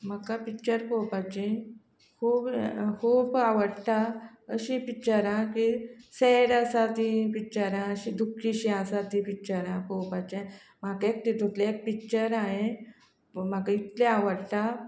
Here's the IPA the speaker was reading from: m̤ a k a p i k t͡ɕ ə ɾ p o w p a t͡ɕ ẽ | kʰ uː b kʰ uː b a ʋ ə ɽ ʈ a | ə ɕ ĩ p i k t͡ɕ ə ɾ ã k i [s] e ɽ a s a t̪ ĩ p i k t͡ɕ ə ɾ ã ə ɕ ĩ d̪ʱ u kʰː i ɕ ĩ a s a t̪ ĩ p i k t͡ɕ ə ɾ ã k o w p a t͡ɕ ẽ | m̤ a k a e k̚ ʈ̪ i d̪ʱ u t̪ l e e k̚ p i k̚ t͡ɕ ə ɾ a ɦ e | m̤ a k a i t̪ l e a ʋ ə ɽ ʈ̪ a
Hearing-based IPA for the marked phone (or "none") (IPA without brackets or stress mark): s